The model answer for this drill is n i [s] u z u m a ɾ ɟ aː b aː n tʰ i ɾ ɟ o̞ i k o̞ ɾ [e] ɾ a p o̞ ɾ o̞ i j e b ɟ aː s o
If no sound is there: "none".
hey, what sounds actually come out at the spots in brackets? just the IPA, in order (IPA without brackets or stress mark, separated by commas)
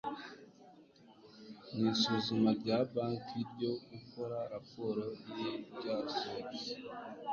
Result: s, a